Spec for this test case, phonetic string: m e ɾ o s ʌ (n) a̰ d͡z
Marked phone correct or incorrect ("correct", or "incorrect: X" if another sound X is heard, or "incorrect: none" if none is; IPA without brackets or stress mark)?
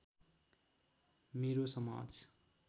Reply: incorrect: m